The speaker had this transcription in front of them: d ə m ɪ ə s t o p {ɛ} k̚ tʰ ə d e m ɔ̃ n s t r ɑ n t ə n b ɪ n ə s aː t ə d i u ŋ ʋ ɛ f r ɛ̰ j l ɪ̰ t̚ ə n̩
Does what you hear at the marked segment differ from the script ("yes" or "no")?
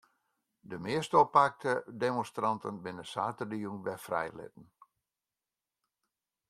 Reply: yes